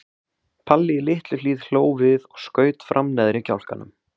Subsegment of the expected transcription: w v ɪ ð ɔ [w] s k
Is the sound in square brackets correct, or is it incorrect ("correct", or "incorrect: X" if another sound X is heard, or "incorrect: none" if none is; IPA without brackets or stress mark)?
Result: incorrect: ɣ